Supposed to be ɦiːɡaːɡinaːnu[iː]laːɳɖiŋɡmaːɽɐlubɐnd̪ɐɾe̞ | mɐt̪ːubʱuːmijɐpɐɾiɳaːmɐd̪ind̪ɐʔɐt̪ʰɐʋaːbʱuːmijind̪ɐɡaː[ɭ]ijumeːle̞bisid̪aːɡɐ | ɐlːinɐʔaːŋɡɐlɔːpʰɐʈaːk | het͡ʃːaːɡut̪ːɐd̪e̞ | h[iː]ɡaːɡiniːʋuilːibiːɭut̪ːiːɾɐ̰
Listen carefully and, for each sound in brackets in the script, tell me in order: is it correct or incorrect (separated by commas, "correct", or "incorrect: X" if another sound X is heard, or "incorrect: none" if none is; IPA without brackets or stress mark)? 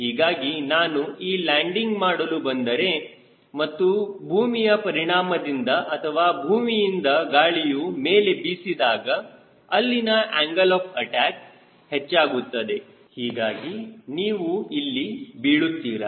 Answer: correct, correct, correct